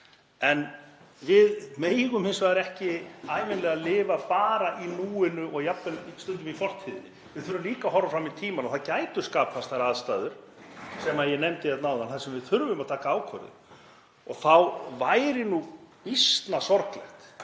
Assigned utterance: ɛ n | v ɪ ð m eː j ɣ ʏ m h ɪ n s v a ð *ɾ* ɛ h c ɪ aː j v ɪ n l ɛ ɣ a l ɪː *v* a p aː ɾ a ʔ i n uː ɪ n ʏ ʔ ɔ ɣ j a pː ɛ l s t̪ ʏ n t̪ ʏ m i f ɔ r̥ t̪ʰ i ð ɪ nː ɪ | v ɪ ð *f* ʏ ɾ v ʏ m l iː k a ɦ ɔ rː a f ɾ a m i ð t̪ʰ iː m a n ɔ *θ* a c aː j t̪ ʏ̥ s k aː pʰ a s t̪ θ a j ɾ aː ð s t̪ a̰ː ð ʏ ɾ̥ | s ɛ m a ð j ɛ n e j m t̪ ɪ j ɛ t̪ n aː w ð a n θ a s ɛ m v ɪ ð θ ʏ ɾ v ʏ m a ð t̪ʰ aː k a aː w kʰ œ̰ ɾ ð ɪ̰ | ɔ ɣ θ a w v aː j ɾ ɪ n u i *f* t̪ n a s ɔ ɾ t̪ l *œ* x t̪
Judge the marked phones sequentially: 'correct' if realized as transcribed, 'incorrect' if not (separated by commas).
correct, correct, incorrect, correct, incorrect, incorrect